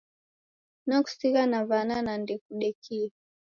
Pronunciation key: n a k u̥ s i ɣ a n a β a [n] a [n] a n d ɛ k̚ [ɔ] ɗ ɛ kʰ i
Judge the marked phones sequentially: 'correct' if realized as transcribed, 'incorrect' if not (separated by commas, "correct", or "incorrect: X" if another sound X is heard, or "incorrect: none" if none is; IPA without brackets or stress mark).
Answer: correct, correct, incorrect: u